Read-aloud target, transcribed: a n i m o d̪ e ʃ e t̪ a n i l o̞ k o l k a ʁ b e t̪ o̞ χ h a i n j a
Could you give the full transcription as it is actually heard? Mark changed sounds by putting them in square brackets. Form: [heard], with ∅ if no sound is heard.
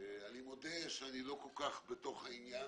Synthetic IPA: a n i m o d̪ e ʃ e [∅] a n i l o̞ k o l k a [χ] b e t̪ o̞ χ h a i n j a